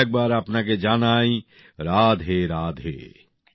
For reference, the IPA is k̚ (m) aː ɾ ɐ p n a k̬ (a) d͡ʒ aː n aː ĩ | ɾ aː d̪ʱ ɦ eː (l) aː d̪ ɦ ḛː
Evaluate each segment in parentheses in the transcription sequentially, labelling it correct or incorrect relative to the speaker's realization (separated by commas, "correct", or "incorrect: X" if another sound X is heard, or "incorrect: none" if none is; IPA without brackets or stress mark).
incorrect: b, incorrect: e, incorrect: ɾ